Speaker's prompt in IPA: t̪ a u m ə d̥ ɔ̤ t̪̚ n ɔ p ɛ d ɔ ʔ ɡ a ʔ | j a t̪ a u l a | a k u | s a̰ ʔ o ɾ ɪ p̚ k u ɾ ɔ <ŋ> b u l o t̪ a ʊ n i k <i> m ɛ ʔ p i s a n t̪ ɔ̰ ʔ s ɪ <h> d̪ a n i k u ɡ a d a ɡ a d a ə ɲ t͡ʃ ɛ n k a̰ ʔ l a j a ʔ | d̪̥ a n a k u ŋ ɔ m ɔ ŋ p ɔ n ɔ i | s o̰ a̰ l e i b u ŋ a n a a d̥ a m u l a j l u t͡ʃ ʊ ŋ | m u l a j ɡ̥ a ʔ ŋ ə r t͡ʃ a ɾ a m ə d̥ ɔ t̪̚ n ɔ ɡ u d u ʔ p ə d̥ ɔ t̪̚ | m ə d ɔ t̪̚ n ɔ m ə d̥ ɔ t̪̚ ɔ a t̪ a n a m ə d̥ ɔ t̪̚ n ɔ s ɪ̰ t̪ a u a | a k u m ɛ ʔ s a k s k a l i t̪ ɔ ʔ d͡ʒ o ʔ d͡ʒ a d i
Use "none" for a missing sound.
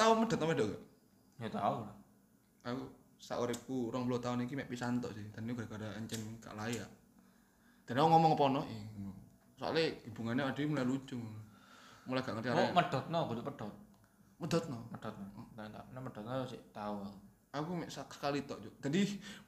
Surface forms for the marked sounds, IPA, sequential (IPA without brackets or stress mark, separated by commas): ŋ, i, h